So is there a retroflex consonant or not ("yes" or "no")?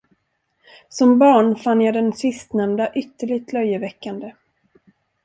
yes